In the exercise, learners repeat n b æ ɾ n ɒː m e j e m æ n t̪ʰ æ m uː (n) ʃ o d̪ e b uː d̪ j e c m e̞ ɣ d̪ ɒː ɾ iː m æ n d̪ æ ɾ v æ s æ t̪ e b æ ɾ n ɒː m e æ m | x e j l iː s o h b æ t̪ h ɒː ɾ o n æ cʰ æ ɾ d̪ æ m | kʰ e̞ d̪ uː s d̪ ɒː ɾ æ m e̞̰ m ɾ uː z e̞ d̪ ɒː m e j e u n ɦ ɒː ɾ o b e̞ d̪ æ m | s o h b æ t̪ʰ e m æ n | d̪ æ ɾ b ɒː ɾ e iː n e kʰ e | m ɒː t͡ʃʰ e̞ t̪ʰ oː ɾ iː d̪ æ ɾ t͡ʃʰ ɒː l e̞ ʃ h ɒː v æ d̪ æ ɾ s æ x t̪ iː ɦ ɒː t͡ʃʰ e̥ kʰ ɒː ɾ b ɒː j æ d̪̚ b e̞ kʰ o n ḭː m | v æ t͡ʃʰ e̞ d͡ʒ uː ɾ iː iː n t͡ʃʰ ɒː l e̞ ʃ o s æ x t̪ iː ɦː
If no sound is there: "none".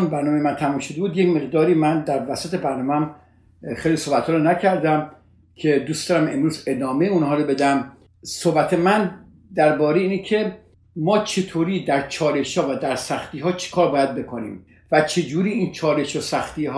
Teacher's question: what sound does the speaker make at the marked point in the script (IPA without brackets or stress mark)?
m